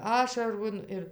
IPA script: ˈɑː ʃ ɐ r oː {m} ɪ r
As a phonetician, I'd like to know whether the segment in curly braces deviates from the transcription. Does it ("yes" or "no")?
yes